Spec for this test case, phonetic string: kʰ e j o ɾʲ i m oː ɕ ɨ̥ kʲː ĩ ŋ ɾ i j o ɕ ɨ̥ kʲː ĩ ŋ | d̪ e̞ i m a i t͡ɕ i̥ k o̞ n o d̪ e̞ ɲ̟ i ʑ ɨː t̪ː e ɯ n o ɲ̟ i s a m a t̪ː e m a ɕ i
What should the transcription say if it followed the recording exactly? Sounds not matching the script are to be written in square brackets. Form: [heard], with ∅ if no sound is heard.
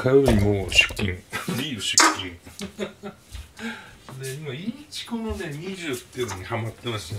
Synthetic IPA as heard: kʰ [a] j o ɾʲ i m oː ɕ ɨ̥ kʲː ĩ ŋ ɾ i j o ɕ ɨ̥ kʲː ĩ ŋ | d̪ e̞ i m a i t͡ɕ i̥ k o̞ n o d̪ e̞ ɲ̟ i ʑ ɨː t̪ː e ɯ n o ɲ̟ i [h] a m a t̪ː e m a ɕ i